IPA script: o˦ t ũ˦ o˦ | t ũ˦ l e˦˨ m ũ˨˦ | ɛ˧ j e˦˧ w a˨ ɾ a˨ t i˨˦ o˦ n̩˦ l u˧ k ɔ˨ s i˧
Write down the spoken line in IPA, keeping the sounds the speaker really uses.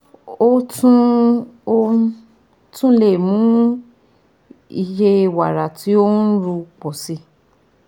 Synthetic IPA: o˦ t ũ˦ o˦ | t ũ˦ l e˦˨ m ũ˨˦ | i˧ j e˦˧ w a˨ ɾ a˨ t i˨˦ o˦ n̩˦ ɾ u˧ k͡p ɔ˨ s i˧